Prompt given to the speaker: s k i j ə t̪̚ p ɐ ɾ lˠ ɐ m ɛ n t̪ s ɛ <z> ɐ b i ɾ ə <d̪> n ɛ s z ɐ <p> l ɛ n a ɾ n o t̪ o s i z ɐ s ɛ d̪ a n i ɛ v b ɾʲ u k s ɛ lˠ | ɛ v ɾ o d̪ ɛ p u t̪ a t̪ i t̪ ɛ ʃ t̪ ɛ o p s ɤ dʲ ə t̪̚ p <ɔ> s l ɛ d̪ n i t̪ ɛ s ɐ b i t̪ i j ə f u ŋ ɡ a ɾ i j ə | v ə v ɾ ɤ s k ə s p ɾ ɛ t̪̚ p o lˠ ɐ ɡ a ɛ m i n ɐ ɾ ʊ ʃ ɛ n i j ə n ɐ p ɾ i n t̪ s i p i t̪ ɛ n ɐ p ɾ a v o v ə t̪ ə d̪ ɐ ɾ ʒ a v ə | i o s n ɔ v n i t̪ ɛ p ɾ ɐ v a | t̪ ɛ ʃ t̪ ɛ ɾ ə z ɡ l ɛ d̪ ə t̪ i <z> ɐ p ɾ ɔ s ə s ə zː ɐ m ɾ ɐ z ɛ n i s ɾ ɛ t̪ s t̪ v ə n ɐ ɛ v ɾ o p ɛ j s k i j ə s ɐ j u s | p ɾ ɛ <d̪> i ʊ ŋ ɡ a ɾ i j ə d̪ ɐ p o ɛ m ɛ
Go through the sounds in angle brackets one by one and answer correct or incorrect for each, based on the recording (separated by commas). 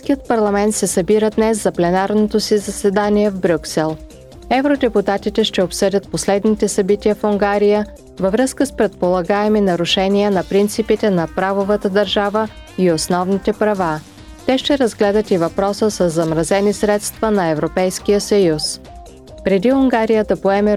incorrect, correct, correct, incorrect, incorrect, correct